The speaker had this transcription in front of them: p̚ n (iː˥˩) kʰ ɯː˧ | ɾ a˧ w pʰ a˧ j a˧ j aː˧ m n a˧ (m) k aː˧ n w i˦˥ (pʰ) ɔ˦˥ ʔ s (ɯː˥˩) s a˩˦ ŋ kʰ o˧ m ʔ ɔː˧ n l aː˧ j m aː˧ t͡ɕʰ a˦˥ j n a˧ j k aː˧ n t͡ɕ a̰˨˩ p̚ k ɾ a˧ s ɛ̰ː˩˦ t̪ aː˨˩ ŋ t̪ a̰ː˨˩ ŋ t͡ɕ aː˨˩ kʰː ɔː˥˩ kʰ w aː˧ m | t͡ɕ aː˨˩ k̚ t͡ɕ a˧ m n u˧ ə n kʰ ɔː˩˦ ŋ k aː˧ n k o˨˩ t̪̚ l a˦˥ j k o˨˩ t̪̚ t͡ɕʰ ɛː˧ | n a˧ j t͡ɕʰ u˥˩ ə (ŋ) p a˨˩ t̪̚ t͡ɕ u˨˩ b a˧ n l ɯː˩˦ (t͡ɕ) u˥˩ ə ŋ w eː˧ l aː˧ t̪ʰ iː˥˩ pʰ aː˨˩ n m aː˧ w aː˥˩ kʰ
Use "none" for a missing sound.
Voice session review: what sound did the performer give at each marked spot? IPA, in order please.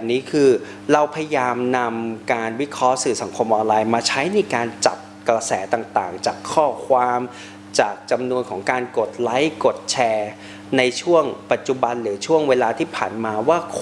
iː˦˥, m, kʰ, ɯː˨˩, ŋ, t͡ɕʰ

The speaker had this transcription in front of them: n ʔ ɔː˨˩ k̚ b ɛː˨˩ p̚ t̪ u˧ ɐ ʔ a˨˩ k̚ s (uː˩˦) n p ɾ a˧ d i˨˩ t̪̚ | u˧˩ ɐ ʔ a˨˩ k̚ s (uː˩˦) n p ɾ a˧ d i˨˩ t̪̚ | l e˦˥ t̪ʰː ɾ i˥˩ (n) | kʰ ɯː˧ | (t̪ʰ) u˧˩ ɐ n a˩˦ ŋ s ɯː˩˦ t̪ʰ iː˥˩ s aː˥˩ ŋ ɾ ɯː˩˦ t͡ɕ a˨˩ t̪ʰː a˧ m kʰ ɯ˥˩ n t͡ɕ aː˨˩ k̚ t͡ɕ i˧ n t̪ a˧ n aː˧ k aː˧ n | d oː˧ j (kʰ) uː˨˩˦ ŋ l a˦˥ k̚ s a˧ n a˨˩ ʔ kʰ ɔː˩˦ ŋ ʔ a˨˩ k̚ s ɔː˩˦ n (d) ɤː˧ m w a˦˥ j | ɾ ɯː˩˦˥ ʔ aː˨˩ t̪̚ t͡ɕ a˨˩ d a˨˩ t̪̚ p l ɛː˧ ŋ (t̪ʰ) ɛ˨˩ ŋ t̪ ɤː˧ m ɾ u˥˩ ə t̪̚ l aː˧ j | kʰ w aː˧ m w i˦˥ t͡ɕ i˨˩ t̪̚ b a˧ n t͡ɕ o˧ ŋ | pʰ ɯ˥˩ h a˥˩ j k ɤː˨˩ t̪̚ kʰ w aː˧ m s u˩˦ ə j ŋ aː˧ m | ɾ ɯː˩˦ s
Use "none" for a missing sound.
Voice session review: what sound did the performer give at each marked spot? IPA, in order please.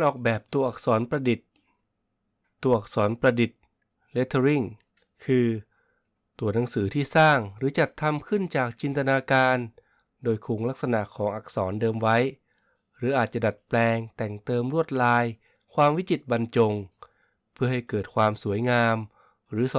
ɔː˩˦, ɔː˩˦, ŋ, t̪, kʰ, d, t̪

